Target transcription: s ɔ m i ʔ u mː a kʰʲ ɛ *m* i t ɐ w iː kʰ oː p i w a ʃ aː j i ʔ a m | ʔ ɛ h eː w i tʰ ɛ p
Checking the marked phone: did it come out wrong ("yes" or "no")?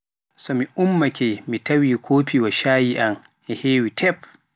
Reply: no